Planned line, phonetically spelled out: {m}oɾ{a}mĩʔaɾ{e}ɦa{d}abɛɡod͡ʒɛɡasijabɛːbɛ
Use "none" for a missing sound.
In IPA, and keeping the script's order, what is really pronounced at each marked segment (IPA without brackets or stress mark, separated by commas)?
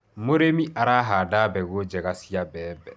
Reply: m, e, a, d